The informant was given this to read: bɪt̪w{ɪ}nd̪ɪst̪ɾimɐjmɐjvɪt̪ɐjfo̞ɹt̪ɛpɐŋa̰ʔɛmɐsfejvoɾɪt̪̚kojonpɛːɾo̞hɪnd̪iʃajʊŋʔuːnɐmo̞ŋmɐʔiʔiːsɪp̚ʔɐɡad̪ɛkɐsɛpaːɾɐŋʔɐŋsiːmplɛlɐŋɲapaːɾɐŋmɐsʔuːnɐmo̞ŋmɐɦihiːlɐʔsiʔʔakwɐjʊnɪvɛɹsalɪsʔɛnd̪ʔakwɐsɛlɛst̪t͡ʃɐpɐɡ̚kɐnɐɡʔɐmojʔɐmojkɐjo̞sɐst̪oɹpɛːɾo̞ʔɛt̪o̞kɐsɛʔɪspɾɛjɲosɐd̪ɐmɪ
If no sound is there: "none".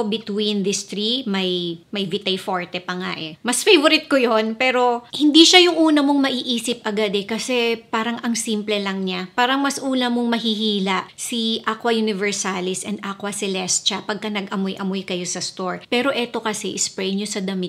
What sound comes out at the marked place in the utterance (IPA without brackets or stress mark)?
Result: i